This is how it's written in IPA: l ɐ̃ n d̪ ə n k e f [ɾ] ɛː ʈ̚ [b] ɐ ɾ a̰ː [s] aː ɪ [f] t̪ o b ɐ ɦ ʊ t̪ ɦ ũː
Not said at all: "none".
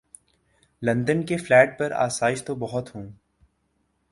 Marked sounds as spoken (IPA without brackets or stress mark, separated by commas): l, p, s, ʃ